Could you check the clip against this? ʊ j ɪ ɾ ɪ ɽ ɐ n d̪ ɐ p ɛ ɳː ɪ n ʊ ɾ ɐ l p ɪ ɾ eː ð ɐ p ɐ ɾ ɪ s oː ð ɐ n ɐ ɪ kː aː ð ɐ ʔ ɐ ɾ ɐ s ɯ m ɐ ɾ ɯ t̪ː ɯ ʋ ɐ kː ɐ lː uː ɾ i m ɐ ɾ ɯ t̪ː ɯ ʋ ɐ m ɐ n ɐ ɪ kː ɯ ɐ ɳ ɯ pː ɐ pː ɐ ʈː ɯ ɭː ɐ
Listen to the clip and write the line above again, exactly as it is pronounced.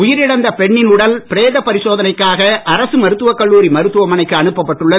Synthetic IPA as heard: ʊ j ɪ ɾ ɪ ɽ ɐ n d̪ ɐ p ɛ ɳː ɪ n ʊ ɽ ɐ l p ɪ ɾ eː ð ɐ p ɐ ɾ ɪ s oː ð ɐ n ɐ ɪ kː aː ɣ ɐ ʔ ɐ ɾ ɐ s ɯ m ɐ ɾ ɯ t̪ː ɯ ʋ ɐ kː ɐ ɭː uː ɾ i m ɐ ɾ ɯ t̪ː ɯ ʋ ɐ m ɐ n ɐ ɪ kː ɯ ɐ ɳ ɯ pː ɐ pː ɐ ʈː ɯ ɭː ɐ